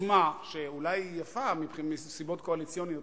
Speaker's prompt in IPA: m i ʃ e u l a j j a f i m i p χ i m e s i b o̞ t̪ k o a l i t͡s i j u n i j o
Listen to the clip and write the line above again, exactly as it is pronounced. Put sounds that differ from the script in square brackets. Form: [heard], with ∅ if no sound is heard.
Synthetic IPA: m [a] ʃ e u l a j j a f [a] m i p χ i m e s i b o̞ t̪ k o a l i t͡s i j [o] n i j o